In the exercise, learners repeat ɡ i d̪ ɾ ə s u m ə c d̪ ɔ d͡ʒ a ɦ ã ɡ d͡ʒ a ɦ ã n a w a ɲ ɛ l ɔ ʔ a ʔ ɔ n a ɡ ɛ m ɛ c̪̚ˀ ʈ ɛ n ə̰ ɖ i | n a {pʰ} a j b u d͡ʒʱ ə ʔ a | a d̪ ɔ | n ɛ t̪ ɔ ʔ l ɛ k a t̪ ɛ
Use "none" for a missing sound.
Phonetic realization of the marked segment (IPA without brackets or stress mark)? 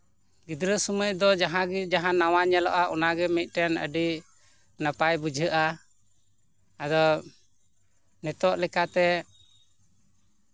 p